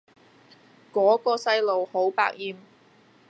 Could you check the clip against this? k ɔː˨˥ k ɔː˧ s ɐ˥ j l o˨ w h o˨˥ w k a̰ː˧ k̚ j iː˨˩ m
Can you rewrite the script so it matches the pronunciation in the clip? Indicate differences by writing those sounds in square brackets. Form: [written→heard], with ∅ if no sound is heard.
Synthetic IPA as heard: k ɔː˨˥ k ɔː˧ s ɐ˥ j l o˨ w h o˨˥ w [k→p] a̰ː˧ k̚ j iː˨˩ m